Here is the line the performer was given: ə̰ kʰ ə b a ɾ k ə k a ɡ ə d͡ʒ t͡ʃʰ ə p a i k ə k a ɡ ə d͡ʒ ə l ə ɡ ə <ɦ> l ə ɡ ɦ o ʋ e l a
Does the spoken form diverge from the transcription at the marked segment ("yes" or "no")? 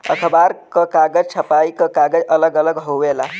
yes